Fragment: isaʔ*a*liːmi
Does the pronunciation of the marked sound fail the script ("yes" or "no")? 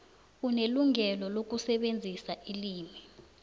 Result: yes